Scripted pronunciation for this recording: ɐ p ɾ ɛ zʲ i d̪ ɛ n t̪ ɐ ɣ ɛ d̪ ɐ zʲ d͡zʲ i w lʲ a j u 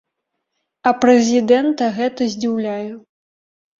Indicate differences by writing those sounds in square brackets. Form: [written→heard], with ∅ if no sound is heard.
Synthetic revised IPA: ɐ p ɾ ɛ zʲ i d̪ ɛ n t̪ ɐ ɣ ɛ [d̪→t̪] ɐ zʲ d͡zʲ i w lʲ a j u